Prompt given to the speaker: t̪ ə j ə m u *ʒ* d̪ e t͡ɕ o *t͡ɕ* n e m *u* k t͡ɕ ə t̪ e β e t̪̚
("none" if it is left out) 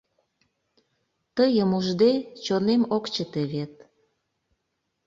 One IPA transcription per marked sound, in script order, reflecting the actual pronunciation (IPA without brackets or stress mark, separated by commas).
ʒ, none, o